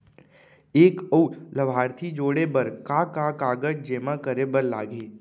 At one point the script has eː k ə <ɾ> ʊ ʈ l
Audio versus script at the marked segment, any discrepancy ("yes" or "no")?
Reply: yes